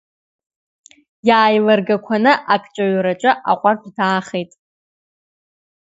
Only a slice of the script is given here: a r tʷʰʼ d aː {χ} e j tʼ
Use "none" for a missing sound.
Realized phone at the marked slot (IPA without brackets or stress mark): χ